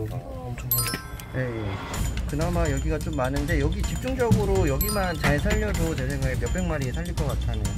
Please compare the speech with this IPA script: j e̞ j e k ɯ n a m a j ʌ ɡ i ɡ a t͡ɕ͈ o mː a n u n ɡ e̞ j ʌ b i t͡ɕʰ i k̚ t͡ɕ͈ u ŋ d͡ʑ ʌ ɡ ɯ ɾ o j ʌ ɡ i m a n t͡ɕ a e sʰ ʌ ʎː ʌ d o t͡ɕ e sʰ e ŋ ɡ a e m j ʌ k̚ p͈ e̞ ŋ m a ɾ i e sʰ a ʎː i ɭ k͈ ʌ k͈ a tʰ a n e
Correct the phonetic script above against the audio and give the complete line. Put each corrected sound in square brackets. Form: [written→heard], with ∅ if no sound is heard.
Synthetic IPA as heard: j e̞ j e k ɯ n a m a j ʌ ɡ i ɡ a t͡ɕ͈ o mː a n [u→ɯ] n [ɡ→d] e̞ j ʌ [b→ɡ] i [t͡ɕʰ→t͡ɕ] i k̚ t͡ɕ͈ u ŋ d͡ʑ ʌ ɡ ɯ ɾ o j ʌ ɡ i m a n t͡ɕ a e sʰ [ʌ→a] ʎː ʌ d o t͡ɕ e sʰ e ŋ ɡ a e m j ʌ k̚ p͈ e̞ ŋ m a ɾ i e sʰ a ʎː i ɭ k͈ ʌ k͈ a tʰ a n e